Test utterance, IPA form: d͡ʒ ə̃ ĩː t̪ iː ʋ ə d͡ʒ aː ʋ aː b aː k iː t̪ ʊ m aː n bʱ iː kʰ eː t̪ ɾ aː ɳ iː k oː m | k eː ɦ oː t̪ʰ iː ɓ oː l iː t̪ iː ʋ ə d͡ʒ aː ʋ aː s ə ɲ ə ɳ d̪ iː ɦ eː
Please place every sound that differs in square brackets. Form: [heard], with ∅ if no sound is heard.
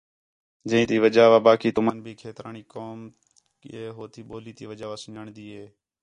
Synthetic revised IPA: d͡ʒ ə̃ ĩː t̪ iː ʋ ə d͡ʒ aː ʋ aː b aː k iː t̪ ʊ m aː n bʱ iː kʰ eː t̪ ɾ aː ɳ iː k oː m | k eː ɦ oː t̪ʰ iː ɓ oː l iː t̪ iː ʋ ə d͡ʒ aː ʋ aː s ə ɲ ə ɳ d̪ iː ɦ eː